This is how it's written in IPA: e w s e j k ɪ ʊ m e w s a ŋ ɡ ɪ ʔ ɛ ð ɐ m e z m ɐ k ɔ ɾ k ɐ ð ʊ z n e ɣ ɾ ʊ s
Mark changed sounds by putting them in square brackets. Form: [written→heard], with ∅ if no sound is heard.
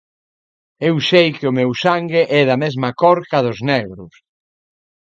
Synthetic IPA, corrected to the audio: e w s e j k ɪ ʊ m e w s a ŋ ɡ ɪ ʔ ɛ ð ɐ m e z m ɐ k ɔ ɾ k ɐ ð ʊ z n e ɣ ɾ ʊ s